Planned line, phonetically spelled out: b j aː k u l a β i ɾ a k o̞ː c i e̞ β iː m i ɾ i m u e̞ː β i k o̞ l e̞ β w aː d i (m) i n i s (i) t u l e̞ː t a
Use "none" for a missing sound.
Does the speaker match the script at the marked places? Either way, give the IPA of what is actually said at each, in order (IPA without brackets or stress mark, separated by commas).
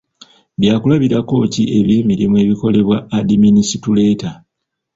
m, i